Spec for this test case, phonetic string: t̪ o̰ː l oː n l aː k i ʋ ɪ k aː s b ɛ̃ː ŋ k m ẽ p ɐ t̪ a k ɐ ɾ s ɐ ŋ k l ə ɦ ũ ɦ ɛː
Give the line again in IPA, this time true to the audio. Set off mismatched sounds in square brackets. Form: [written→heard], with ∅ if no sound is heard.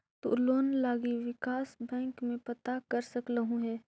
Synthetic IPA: t̪ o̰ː l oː n l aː [k→ɡ] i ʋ ɪ k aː s b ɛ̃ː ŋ k m ẽ p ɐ t̪ a k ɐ ɾ s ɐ [ŋ→∅] k l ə ɦ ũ ɦ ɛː